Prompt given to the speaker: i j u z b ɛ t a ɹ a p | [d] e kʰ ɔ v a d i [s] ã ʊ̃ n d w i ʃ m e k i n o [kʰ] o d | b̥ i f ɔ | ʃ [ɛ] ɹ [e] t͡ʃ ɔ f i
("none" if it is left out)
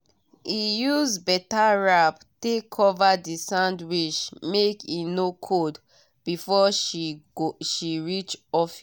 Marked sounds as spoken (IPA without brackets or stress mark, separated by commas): t, s, kʰ, i, i